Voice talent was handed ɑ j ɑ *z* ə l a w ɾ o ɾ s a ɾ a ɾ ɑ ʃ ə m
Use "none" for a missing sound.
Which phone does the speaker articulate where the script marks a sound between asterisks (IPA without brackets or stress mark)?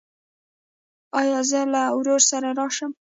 z